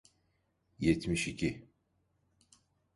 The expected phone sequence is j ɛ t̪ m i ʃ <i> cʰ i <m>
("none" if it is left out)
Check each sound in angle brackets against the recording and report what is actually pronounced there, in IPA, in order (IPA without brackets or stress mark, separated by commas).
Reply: i, none